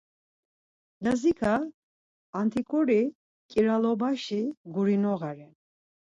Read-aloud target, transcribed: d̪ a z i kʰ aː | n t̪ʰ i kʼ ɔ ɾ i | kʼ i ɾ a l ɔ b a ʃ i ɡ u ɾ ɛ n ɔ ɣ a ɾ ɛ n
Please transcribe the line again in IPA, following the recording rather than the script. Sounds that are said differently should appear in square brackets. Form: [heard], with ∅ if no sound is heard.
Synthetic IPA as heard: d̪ a z i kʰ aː | n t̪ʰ i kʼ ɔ ɾ i | kʼ i ɾ a l ɔ b a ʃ i ɡ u ɾ [i] n ɔ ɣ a ɾ ɛ n